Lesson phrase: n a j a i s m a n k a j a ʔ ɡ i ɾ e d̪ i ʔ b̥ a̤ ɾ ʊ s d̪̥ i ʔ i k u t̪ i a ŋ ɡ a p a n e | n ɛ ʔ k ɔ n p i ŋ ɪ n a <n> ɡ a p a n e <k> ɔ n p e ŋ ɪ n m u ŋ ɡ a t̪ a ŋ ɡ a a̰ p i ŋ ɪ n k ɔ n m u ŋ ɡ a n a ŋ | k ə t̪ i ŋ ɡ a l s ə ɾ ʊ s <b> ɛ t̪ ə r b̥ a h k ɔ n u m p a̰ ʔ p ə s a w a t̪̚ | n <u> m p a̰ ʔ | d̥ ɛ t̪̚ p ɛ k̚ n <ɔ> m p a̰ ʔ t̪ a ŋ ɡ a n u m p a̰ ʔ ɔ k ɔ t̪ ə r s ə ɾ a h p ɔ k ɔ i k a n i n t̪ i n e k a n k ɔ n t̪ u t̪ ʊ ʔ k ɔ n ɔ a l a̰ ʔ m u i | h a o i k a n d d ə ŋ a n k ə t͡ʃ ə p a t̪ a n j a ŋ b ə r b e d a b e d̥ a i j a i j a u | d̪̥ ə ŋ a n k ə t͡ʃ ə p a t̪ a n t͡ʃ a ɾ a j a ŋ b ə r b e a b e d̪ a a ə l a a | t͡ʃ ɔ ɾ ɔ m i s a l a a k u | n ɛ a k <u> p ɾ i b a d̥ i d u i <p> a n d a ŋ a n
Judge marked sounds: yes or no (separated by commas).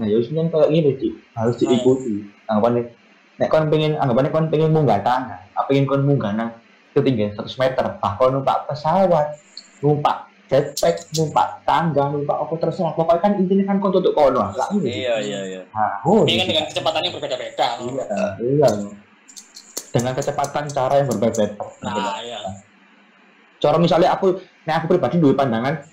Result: no, yes, no, yes, no, yes, yes